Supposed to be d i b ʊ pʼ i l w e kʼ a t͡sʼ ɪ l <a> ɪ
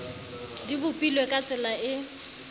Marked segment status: correct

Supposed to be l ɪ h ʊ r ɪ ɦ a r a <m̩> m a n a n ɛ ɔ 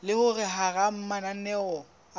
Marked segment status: correct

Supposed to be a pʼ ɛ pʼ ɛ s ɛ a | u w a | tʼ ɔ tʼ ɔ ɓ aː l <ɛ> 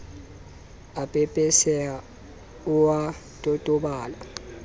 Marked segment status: incorrect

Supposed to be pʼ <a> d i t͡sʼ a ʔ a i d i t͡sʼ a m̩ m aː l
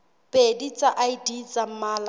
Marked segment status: incorrect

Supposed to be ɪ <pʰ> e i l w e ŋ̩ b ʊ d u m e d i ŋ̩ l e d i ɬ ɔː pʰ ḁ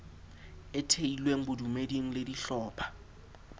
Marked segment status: incorrect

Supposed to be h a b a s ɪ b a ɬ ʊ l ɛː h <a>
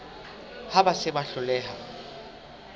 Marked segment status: correct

